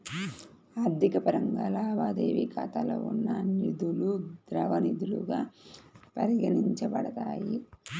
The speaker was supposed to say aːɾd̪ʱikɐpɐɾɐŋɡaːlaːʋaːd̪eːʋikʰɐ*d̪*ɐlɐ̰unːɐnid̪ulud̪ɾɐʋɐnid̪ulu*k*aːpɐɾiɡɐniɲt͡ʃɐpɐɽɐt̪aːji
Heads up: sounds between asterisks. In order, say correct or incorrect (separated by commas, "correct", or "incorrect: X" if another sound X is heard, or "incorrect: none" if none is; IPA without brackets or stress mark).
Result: incorrect: t̪, incorrect: ɡ